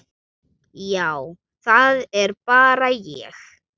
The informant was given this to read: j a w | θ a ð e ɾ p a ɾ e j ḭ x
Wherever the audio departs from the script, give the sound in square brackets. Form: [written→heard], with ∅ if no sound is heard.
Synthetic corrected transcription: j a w | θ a ð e ɾ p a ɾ [e→a] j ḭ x